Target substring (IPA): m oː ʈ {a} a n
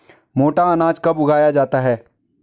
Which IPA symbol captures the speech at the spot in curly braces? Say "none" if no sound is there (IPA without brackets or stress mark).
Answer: a